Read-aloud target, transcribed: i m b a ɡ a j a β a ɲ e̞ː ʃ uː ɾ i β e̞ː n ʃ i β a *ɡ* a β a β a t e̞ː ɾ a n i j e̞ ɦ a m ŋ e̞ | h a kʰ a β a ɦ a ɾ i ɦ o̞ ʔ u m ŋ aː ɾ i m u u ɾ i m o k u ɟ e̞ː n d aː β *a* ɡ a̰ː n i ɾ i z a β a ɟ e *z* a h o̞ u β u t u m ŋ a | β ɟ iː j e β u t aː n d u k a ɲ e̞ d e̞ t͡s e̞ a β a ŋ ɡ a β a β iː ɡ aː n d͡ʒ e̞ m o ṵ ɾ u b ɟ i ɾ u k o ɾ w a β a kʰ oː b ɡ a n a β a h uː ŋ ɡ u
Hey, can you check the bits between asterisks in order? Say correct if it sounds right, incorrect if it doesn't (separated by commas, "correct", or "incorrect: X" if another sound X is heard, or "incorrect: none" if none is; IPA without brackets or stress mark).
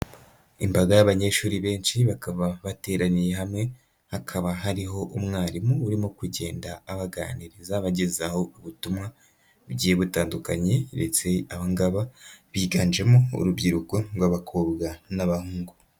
incorrect: k, correct, correct